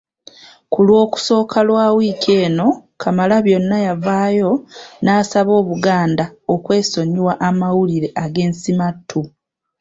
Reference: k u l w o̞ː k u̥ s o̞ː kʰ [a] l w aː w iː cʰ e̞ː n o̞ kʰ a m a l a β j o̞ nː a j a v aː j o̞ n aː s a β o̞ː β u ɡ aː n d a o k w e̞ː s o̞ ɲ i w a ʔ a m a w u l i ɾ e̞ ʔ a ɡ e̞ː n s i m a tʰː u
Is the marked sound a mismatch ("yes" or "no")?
no